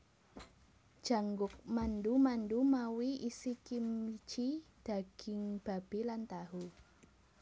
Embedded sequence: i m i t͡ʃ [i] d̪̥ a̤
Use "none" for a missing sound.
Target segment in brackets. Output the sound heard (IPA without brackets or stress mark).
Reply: i